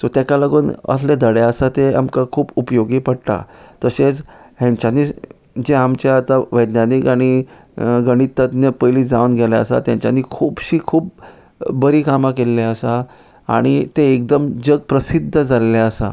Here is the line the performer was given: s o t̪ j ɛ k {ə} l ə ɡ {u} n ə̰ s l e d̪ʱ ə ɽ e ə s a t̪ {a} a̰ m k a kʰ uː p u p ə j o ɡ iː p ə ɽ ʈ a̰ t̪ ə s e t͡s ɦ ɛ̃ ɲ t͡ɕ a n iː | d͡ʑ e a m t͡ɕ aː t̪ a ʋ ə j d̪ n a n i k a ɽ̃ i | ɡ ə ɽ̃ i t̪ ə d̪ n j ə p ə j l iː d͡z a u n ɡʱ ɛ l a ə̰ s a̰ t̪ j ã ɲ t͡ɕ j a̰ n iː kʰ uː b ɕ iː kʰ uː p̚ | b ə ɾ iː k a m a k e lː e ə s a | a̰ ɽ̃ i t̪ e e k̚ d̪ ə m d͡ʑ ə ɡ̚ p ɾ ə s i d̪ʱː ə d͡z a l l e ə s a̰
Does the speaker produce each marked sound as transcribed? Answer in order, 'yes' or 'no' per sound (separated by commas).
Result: no, no, no